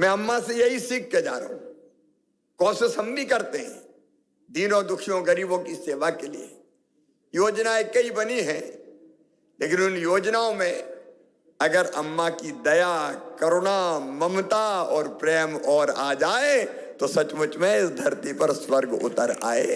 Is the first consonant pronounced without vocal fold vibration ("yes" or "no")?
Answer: no